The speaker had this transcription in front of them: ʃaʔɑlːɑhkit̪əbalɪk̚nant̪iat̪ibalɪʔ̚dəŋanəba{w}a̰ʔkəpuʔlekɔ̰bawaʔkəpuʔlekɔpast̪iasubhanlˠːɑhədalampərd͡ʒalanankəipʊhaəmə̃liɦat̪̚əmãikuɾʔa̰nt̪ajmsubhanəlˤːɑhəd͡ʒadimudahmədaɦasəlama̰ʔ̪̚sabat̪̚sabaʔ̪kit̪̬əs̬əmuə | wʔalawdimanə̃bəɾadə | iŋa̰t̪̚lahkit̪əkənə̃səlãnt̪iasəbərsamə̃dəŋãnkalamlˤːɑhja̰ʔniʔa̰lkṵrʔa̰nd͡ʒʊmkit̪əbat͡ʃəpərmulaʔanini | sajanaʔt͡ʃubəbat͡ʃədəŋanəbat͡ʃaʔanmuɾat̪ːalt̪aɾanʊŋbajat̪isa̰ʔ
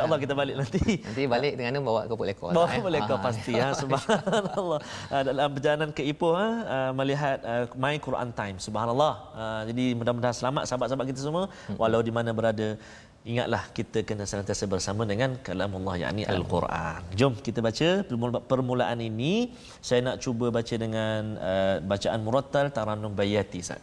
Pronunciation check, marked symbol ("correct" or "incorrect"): correct